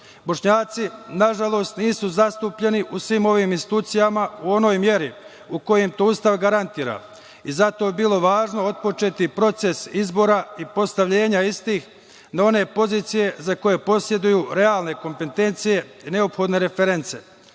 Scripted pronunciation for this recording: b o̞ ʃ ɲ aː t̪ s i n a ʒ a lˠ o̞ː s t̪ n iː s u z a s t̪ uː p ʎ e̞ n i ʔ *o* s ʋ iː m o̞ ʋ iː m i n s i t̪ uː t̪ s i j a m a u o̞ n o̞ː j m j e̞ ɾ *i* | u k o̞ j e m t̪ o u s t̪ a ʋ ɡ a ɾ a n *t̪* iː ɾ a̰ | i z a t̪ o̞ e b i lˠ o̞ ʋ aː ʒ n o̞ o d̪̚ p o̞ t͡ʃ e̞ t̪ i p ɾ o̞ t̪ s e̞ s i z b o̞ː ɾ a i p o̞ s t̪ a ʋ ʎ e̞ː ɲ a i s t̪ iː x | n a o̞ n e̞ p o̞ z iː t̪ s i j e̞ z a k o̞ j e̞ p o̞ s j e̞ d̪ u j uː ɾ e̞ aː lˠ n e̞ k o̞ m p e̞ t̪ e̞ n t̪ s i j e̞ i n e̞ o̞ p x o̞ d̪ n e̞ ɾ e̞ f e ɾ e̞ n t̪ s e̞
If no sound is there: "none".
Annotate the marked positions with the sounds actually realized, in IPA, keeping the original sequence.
u, i, t̪

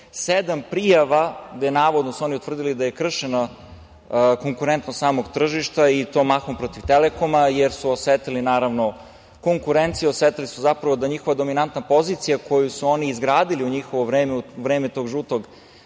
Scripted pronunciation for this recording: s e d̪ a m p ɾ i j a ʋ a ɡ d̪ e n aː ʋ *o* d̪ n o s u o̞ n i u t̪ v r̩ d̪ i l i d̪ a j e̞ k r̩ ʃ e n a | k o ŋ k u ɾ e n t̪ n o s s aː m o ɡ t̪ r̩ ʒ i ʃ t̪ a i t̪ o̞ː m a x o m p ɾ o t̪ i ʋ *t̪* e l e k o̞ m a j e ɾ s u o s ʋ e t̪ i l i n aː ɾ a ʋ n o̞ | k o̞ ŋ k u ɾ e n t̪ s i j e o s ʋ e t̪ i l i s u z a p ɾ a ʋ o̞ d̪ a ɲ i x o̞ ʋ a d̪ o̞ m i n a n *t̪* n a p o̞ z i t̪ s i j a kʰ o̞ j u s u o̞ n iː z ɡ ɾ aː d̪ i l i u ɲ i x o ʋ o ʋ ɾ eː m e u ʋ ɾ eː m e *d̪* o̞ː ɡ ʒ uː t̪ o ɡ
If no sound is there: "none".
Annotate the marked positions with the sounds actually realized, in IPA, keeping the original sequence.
o, t̪, t̪, t̪

